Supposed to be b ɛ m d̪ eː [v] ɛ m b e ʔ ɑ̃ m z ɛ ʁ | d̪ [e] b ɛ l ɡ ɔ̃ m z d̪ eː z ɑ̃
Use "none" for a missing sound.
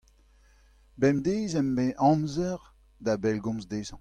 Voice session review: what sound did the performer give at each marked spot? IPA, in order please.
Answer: z, a

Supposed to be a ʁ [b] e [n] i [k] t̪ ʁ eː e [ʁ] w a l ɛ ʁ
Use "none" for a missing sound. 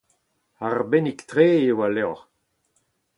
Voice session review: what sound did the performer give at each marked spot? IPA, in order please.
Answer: b, n, k, none

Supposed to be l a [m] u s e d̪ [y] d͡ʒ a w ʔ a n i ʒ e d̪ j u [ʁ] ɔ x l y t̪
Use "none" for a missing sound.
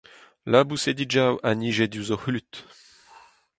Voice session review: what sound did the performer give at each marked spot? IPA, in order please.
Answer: b, i, z

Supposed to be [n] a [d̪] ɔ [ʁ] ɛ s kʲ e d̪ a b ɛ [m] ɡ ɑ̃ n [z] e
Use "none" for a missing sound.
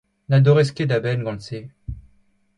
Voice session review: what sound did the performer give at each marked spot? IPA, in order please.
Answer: n, d̪, ʁ, n, s

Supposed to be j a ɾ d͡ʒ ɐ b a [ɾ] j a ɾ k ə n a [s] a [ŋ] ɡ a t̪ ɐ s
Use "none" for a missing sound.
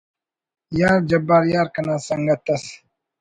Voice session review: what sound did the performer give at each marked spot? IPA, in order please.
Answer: ɾ, s, ŋ

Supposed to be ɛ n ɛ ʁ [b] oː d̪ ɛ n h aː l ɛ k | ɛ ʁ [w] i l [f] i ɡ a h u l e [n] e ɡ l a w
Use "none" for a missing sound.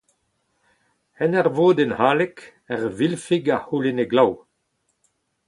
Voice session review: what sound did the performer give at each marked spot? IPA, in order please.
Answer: v, v, f, n

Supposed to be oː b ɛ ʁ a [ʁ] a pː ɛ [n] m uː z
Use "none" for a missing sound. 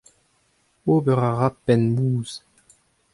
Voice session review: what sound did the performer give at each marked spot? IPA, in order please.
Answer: ʁ, n

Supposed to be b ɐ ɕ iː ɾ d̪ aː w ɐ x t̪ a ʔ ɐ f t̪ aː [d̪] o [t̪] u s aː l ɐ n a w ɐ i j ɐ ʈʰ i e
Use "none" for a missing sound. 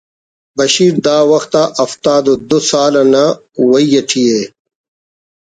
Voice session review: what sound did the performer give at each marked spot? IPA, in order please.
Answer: d̪, d̪

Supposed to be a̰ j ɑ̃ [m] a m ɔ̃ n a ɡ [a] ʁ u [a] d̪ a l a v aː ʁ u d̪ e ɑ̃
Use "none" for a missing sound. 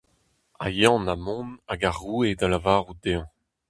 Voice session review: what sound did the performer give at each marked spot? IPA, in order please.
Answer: n, a, e

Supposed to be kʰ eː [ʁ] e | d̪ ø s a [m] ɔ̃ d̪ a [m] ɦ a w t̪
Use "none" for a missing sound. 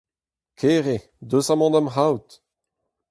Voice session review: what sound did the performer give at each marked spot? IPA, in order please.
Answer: ʁ, m, m

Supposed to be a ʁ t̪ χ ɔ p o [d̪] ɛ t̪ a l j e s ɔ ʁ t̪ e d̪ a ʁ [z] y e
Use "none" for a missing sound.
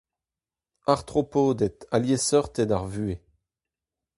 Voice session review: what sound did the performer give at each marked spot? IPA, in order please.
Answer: d̪, v

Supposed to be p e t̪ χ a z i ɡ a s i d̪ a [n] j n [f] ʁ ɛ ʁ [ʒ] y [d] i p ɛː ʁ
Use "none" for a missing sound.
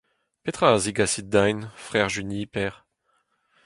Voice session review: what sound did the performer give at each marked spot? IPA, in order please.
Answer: none, f, ʒ, n

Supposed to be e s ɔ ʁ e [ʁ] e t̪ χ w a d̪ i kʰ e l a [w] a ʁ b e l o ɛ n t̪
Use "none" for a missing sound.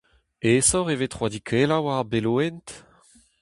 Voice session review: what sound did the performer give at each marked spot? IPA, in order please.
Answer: v, w

